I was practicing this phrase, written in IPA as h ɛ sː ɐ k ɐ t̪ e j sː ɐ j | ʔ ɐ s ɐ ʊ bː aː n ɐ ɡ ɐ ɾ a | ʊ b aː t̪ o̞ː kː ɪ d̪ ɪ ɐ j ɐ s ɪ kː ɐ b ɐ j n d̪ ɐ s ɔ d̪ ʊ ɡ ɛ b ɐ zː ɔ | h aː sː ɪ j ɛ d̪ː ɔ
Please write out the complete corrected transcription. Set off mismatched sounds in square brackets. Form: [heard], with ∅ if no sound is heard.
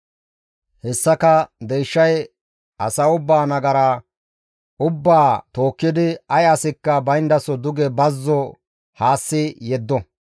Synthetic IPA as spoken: h ɛ sː ɐ k ɐ [d̪] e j [ʃː] ɐ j | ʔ ɐ s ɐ ʊ bː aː n ɐ ɡ ɐ ɾ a | ʊ [bː] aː t̪ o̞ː kː ɪ d̪ ɪ ɐ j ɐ s ɪ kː ɐ b ɐ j n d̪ ɐ s ɔ d̪ ʊ ɡ ɛ b ɐ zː ɔ | h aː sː ɪ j ɛ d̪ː ɔ